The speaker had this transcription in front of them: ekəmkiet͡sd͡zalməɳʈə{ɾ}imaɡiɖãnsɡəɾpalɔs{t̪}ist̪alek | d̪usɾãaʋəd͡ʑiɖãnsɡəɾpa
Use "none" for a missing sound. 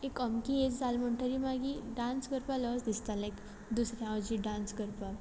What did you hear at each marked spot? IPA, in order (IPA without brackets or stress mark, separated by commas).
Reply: ɾ, d̪